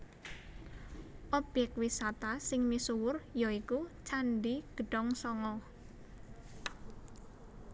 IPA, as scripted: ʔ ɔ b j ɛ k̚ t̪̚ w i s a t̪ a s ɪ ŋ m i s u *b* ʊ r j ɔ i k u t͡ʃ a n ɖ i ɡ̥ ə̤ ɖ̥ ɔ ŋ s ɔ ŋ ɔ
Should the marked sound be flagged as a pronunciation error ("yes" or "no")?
yes